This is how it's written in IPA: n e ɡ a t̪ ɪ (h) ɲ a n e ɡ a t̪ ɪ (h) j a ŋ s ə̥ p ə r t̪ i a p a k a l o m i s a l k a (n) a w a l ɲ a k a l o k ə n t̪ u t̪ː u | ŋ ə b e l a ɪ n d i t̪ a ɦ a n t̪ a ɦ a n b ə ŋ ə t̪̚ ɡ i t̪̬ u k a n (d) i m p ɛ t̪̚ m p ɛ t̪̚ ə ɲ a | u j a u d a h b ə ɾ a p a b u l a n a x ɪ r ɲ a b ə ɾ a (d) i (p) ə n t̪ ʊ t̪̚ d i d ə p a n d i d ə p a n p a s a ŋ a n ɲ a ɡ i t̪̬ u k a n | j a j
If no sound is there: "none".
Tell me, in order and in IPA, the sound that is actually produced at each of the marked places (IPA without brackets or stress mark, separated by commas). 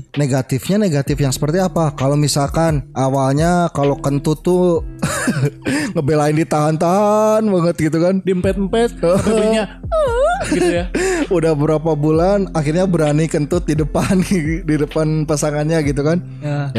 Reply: f, f, n, d, n, k